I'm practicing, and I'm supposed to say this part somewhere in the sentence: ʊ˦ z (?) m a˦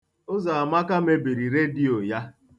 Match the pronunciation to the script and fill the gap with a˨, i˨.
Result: a˨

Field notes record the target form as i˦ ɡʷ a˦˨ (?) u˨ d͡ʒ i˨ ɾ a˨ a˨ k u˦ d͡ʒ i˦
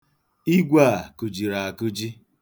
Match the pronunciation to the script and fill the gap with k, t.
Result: k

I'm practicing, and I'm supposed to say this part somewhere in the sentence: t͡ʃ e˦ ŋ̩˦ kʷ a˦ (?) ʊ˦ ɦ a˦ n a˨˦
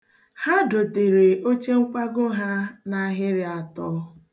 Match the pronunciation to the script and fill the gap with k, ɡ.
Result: ɡ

